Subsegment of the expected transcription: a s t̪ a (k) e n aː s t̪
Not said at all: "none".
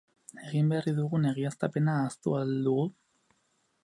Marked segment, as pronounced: p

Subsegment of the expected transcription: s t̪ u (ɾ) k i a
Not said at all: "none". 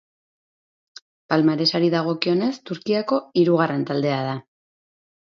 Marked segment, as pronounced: ɾ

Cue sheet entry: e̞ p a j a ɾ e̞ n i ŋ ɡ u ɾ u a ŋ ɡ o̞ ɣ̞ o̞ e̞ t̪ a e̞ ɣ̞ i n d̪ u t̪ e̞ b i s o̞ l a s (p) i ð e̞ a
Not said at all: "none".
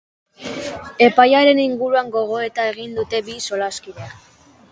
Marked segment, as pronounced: k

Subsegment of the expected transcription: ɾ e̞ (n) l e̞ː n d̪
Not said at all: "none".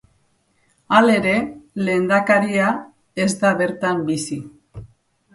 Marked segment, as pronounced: none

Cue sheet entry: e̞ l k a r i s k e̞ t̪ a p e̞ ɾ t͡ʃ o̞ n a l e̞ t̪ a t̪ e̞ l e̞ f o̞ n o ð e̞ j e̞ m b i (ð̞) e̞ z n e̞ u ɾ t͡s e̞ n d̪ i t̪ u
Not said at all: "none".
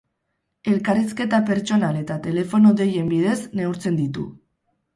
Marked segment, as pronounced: ð̞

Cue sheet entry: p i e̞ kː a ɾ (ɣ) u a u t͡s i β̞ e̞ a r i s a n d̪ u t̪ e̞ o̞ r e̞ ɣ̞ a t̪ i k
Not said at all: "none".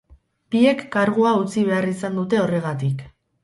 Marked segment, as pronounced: ɣ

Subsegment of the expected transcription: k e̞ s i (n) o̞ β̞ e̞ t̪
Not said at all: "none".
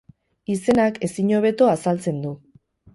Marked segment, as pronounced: ɲ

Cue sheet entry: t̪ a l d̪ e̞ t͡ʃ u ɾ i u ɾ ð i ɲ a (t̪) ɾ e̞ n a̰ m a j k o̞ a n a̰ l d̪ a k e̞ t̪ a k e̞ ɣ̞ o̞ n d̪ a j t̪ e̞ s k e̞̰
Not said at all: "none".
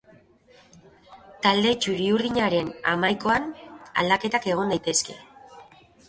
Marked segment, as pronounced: none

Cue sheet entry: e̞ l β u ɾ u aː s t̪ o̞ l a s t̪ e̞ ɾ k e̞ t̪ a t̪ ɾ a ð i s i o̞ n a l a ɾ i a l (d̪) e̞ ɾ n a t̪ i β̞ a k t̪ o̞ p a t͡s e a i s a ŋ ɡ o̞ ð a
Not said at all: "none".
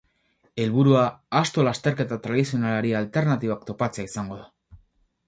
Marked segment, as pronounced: t̪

